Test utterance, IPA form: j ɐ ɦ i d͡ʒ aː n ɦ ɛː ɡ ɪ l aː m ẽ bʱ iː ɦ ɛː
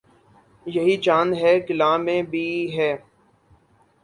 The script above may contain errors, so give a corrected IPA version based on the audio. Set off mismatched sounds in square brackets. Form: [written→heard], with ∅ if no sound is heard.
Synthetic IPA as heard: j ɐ ɦ i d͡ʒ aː n ɦ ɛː ɡ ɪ l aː m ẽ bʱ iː ɦ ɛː